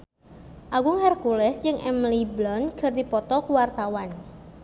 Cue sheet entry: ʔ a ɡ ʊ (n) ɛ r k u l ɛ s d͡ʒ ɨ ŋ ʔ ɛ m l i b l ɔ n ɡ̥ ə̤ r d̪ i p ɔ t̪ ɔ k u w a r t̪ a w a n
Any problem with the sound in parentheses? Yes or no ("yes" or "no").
yes